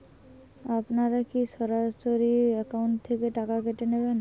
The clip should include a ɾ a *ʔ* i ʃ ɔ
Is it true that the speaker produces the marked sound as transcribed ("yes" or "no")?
no